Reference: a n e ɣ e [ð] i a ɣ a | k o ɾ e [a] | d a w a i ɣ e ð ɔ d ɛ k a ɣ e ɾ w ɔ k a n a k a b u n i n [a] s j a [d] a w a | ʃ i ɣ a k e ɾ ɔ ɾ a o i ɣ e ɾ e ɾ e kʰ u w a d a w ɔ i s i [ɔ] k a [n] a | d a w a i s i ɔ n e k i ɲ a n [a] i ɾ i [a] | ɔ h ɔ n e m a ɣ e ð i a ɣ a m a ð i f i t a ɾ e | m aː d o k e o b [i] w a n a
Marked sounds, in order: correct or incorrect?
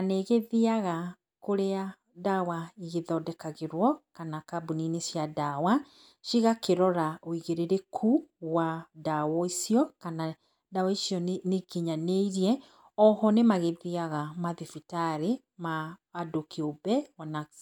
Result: correct, correct, incorrect: e, correct, correct, correct, incorrect: e, incorrect: ɛ, incorrect: ɛ

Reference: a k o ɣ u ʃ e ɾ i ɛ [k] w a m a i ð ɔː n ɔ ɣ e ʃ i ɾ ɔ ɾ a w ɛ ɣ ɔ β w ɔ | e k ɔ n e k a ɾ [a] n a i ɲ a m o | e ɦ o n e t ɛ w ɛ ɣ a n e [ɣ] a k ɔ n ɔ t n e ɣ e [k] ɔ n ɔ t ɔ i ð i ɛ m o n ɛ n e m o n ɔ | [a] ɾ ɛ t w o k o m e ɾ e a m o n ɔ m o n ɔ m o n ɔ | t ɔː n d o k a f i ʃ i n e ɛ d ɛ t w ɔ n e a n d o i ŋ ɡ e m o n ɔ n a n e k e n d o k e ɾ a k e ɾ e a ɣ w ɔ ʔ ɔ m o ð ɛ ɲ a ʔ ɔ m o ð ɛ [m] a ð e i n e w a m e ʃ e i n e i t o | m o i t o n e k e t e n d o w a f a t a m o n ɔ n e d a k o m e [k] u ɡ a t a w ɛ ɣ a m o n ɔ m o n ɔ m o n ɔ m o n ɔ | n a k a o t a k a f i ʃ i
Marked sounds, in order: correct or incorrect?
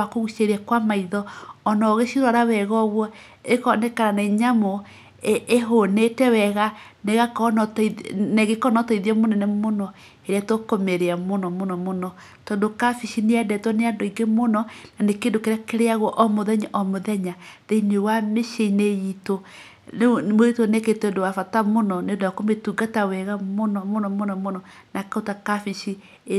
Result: correct, correct, correct, correct, incorrect: e, incorrect: ɲ, incorrect: t

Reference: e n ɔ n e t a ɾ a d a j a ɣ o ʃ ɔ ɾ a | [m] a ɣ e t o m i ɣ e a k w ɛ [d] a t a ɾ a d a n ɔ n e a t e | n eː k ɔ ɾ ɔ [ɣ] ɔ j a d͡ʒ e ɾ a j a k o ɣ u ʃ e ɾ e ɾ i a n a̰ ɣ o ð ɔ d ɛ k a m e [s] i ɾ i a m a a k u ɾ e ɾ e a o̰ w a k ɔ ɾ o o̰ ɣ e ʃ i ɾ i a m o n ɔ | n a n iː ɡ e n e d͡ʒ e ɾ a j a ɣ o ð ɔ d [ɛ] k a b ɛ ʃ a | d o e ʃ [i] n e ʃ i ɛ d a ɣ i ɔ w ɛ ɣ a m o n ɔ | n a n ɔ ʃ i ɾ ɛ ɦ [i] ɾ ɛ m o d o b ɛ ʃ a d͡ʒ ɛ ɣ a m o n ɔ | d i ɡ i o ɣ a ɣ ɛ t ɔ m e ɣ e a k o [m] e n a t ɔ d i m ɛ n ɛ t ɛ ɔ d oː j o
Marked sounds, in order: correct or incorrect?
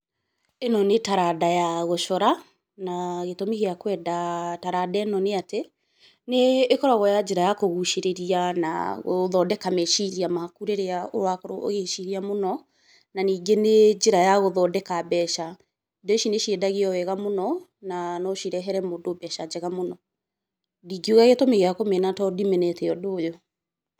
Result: incorrect: n, correct, correct, incorrect: ʃ, correct, correct, incorrect: ɛ, correct

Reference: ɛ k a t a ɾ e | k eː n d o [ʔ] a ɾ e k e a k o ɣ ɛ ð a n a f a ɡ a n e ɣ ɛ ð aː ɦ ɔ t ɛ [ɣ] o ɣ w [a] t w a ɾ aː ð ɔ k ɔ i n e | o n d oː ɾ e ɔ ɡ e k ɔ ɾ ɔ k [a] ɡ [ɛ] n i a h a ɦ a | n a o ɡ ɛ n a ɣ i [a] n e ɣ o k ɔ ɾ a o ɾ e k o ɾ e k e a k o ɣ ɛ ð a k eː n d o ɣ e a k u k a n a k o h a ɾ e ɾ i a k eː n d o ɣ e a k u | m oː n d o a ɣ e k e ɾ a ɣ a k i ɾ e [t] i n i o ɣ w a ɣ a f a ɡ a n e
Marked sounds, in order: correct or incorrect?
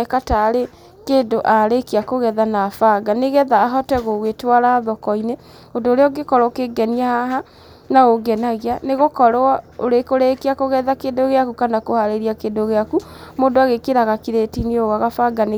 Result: correct, correct, incorrect: e, incorrect: e, correct, correct, correct

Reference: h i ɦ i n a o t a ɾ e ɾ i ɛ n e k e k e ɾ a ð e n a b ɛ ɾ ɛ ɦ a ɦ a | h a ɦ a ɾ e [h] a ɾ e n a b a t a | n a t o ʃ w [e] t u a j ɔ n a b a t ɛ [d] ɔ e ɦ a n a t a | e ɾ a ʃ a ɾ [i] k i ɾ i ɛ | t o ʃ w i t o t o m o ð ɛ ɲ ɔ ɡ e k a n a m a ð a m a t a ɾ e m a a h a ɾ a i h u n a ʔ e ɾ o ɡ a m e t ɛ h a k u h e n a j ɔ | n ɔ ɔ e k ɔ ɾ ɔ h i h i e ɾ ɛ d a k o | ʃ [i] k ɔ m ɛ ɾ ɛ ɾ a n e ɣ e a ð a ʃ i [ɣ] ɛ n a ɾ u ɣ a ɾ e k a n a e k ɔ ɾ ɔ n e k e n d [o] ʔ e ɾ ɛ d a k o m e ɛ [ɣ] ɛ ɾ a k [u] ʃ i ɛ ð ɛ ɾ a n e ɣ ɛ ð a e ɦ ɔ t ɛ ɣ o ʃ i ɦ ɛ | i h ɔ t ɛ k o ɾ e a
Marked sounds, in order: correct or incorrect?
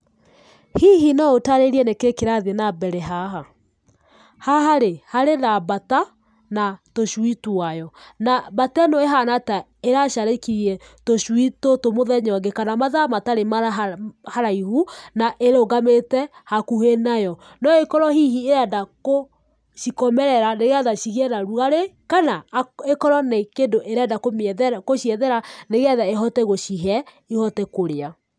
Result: correct, incorrect: i, incorrect: n, incorrect: e, correct, correct, correct, incorrect: ð, incorrect: o

